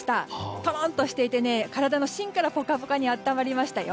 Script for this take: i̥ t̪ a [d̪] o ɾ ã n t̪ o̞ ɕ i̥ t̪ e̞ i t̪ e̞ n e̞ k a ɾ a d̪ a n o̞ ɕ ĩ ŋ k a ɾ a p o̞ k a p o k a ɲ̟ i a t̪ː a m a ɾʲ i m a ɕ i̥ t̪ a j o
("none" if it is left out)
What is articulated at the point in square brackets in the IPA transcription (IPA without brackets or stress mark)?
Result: t̪